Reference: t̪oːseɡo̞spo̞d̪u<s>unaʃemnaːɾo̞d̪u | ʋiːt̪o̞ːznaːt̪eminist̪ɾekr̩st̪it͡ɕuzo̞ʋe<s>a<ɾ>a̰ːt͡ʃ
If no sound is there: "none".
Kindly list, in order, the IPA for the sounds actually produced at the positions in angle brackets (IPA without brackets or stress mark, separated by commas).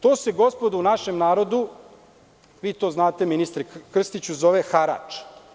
none, x, ɾ